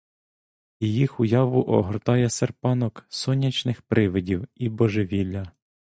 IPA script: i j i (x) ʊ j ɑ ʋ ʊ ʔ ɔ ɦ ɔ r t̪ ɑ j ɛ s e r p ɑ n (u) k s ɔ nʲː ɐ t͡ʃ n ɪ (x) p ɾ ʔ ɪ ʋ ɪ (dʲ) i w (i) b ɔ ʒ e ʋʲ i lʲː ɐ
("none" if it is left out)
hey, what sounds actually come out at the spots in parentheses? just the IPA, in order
x, ɔ, x, dʲ, i

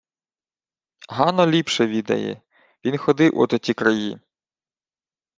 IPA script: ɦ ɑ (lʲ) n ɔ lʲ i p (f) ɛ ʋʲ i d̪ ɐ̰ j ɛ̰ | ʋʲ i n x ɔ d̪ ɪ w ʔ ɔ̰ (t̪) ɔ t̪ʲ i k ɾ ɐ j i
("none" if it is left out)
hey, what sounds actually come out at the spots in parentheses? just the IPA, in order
none, ʃ, t̪

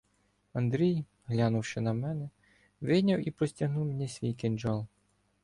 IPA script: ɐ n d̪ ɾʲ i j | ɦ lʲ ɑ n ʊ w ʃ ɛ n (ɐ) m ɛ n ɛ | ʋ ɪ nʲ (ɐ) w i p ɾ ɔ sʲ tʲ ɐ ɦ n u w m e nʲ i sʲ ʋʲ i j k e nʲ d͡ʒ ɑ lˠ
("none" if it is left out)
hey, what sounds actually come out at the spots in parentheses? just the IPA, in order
ɐ, ɐ

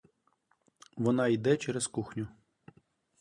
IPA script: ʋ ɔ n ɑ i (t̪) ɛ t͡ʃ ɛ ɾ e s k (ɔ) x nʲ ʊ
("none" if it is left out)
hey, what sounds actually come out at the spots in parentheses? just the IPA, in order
d̪, u

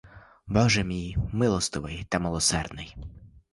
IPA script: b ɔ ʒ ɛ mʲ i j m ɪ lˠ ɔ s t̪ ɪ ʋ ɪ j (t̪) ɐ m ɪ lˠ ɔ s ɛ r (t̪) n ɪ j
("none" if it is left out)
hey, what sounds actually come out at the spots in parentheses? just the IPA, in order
t̪, d̪

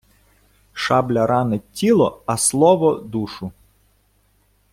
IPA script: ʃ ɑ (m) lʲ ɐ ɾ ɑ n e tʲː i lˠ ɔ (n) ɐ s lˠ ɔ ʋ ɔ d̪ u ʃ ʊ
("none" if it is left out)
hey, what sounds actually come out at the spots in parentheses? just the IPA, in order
b, none

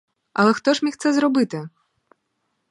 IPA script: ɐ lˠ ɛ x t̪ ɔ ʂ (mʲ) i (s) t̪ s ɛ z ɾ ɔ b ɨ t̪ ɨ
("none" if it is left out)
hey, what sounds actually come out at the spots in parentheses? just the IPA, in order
mʲ, x

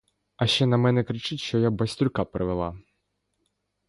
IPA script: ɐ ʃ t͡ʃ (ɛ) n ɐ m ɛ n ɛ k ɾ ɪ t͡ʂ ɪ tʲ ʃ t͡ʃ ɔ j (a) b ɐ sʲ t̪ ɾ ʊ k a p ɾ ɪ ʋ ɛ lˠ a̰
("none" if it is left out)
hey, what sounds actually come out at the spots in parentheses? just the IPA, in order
ɛ, a

